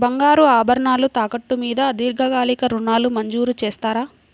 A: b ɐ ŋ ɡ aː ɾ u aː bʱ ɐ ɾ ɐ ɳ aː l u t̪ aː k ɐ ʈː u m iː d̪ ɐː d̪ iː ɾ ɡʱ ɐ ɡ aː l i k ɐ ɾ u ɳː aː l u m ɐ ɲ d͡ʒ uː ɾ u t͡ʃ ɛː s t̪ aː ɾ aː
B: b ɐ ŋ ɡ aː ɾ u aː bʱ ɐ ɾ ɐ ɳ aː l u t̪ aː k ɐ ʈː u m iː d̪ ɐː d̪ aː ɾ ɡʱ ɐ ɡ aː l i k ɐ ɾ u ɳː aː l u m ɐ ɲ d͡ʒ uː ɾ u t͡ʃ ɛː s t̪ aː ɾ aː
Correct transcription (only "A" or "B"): A